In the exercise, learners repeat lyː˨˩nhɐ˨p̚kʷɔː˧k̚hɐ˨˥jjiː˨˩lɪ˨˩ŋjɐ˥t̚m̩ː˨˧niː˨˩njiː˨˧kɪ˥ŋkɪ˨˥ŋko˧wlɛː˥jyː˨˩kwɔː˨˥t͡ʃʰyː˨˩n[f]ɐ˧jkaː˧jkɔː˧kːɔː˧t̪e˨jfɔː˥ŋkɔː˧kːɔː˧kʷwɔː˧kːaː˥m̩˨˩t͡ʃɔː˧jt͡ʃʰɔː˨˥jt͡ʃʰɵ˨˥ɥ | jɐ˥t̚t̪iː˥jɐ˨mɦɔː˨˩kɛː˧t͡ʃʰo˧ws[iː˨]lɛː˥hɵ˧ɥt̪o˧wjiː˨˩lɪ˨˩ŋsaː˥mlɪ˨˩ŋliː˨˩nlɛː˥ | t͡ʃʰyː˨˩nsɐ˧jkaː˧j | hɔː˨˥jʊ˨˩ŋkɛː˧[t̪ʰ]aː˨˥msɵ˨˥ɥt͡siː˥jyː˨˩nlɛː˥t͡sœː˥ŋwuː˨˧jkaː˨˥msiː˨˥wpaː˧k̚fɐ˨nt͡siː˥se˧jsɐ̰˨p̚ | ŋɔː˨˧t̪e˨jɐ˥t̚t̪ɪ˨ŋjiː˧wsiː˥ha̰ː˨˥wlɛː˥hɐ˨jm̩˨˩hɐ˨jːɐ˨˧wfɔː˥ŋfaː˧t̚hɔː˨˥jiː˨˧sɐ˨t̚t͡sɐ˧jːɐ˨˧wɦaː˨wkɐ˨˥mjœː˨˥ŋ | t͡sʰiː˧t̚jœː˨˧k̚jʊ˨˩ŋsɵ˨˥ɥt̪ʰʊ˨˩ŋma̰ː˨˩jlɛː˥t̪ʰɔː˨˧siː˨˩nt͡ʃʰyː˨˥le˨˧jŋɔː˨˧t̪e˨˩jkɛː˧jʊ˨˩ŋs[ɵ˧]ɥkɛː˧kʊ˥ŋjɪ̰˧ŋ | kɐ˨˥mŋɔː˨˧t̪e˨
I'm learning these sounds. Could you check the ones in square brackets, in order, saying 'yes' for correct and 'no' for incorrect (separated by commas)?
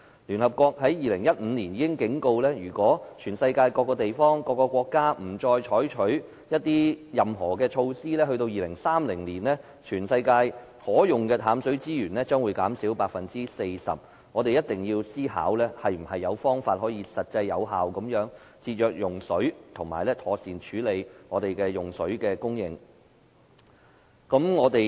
no, no, yes, no